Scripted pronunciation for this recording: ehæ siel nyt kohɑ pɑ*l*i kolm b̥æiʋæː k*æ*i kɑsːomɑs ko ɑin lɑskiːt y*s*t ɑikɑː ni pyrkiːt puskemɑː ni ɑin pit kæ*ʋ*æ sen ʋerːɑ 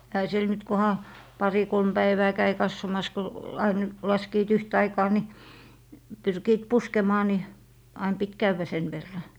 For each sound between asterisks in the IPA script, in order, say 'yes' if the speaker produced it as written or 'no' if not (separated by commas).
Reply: no, yes, no, no